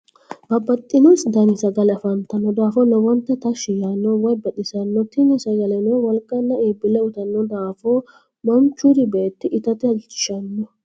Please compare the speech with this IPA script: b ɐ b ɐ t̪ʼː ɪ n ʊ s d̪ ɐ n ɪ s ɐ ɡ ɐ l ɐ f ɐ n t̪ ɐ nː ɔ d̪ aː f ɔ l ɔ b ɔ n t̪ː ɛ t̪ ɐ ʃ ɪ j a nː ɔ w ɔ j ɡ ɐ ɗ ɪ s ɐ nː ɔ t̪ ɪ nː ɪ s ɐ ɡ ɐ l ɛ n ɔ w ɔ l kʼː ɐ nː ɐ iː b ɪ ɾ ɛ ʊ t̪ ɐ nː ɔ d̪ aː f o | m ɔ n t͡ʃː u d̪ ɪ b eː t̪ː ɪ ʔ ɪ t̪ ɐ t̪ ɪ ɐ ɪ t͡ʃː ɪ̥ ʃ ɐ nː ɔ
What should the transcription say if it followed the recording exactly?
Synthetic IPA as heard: b ɐ b ɐ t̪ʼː ɪ n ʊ s d̪ ɐ n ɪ s ɐ ɡ ɐ l ɐ f ɐ n t̪ ɐ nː ɔ d̪ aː f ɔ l ɔ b ɔ n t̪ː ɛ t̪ ɐ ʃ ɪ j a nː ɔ w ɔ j b ɐ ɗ ɪ s ɐ nː ɔ t̪ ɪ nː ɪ s ɐ ɡ ɐ l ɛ n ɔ w ɔ l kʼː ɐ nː ɐ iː b ɪ l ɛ ʊ t̪ ɐ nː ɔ d̪ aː f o | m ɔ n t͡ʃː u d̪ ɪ b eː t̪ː ɪ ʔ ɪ t̪ ɐ t̪ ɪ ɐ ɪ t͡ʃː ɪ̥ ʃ ɐ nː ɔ